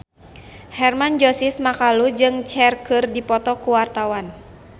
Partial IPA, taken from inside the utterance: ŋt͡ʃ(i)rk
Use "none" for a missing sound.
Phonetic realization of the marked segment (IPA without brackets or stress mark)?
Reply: ɛ